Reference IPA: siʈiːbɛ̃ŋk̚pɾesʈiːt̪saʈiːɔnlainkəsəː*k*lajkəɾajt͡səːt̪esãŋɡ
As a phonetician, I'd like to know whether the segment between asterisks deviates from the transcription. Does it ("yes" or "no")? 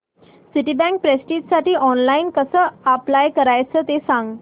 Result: yes